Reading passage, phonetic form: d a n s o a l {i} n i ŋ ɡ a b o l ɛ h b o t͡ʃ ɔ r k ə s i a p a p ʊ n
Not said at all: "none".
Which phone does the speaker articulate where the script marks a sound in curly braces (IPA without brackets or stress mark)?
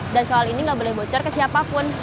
i